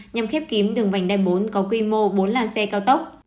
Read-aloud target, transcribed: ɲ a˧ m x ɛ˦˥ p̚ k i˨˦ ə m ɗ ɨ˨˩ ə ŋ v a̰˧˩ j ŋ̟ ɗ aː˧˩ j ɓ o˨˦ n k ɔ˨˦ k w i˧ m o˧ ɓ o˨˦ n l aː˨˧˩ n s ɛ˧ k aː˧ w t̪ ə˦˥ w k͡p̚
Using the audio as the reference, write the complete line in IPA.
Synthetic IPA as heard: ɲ a˧ m x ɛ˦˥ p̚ k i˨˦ ə m ɗ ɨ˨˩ ə ŋ v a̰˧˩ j ŋ̟ ɗ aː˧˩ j ɓ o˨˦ n k ɔ˨˦ k w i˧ m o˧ ɓ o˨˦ n l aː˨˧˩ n s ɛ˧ k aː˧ w t̪ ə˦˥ w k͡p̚